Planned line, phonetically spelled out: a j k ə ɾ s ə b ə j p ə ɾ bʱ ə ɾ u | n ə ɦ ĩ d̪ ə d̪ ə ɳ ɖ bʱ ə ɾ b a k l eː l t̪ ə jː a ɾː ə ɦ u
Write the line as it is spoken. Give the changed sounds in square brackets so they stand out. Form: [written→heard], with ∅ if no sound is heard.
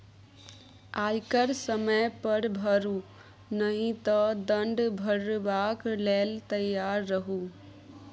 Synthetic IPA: a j k ə ɾ s ə [b→m] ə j p ə ɾ bʱ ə ɾ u | n ə ɦ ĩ [d̪→t̪] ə d̪ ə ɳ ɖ bʱ ə ɾ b a k l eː l t̪ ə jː a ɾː ə ɦ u

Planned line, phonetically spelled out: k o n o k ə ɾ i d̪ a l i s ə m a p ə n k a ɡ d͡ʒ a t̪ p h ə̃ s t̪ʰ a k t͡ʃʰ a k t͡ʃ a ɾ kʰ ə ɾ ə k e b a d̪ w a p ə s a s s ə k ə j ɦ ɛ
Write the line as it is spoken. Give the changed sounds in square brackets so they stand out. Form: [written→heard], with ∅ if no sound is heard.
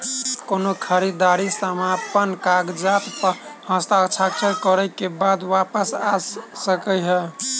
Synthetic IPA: k o n o [k→kʰ] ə ɾ i d̪ a [l→ɾ] i s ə m a p ə n k a ɡ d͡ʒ a t̪ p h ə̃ s [t̪ʰ→t̪] a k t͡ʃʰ a k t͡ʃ [a→ə] ɾ [kʰ→k] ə ɾ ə k e b a d̪ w a p ə s a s s ə k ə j ɦ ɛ

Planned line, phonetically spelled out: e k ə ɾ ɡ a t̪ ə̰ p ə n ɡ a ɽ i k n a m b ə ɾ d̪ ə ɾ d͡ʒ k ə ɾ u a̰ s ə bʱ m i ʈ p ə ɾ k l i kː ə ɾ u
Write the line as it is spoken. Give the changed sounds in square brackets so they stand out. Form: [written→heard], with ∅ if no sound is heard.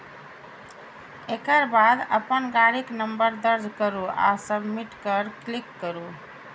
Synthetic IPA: e k ə ɾ [ɡ→b] a [t̪→d̪] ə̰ p ə n ɡ a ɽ i k n [a→ə] m b ə ɾ d̪ ə ɾ d͡ʒ k ə ɾ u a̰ s ə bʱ m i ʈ [p→k] ə ɾ k l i kː ə ɾ u

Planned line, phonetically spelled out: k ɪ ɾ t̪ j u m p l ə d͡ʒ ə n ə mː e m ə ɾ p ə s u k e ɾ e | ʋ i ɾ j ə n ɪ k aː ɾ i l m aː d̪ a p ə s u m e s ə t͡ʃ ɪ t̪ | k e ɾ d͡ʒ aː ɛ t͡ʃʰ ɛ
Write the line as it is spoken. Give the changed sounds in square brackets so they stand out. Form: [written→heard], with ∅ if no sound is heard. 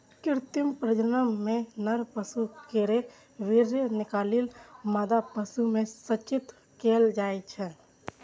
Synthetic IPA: k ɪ ɾ t̪ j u m p [l→ɾ] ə d͡ʒ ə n ə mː e [m→n] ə ɾ p ə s u k e ɾ e | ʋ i ɾ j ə n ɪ k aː [ɾ→l] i l m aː d̪ a p ə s u m e s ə t͡ʃ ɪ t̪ | k e [ɾ→l] d͡ʒ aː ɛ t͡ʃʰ ɛ

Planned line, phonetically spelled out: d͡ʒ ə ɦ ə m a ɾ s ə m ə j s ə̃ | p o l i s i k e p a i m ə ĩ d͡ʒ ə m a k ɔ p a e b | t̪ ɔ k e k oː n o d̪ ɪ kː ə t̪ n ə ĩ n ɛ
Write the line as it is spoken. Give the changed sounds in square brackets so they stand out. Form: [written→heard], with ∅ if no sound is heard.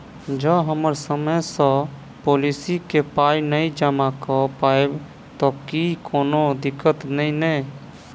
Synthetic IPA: d͡ʒ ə ɦ ə m [a→ə] ɾ s ə m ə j s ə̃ | p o l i s i k e p a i [m→n] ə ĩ d͡ʒ ə m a k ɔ p a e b | t̪ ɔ k [e→i] k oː n o d̪ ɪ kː ə t̪ n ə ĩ n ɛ

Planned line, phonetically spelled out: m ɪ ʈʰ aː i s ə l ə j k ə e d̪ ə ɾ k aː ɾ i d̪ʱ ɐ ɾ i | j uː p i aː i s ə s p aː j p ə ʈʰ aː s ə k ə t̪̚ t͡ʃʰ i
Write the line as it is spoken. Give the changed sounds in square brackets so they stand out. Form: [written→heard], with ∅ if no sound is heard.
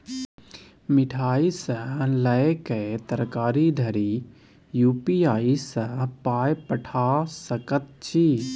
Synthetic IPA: m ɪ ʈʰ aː i s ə l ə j k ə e [d̪→t̪] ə ɾ k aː ɾ i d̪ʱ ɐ ɾ i | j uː p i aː i s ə [s→∅] p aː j p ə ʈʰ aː s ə k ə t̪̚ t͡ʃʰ i

